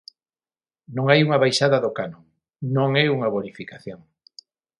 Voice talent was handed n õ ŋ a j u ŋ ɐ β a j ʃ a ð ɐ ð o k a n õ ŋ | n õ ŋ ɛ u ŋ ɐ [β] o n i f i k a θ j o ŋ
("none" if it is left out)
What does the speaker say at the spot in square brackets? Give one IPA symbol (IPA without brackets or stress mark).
β